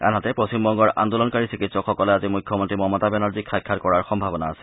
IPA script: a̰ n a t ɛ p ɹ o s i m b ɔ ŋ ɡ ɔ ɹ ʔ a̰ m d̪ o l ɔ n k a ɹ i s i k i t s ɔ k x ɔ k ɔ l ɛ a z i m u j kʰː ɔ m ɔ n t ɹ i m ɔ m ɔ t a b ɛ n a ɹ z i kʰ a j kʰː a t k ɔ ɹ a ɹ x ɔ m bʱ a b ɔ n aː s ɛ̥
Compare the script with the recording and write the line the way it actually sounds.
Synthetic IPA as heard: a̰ n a t ɛ p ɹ o s i m b ɔ ŋ ɡ ɔ ɹ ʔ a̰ n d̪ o l ɔ n k a ɹ i s i k i t s ɔ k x ɔ k ɔ l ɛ a z i m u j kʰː ɔ m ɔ n t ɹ i m ɔ m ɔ t a b ɛ n a ɹ z i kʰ a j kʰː a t k ɔ ɹ a ɹ x ɔ m bʱ a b ɔ n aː s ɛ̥